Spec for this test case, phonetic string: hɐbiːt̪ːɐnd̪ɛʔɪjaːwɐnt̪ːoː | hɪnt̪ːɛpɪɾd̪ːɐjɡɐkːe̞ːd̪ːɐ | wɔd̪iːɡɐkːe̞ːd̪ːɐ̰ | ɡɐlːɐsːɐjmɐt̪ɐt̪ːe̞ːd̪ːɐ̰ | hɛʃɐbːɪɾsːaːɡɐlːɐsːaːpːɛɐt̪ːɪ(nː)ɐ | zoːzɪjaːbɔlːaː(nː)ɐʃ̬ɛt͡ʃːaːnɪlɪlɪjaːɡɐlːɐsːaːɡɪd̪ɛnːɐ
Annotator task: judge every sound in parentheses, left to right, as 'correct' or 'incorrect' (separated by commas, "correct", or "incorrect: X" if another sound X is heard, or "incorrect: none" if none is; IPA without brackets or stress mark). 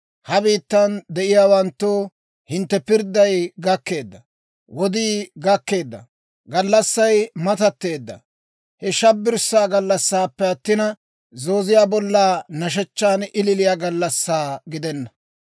incorrect: n, incorrect: n